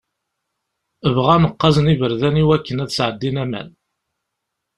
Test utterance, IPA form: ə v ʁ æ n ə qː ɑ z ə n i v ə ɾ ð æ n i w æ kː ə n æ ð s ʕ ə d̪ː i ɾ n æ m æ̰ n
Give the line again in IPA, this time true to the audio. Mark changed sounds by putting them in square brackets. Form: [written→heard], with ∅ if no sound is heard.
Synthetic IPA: ə v ʁ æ n ə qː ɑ z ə n i v ə ɾ ð æ n i w æ kː ə n æ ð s ʕ ə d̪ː i [ɾ→∅] n æ m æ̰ n